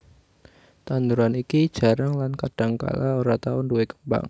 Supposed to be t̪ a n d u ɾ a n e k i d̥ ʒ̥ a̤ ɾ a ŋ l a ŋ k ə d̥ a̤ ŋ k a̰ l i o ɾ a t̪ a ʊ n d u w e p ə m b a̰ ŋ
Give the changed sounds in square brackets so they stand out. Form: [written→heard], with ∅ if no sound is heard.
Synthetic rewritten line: t̪ a n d u ɾ a n [e→i] k i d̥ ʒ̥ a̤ ɾ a ŋ l a [ŋ→n] k [ə→a] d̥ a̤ ŋ k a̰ l [i→a] o ɾ a t̪ a ʊ n d u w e [p→k] ə m b a̰ ŋ